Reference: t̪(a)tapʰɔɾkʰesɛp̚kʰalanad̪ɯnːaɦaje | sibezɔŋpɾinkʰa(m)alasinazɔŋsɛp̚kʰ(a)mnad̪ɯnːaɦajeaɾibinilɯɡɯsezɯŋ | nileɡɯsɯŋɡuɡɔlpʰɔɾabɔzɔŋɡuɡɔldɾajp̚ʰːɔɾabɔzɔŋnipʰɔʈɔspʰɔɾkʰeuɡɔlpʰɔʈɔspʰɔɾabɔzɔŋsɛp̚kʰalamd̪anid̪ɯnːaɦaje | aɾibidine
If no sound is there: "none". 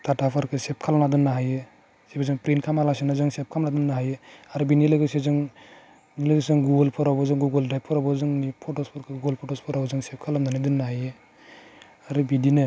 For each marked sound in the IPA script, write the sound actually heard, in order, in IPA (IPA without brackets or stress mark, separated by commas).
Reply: a, m, a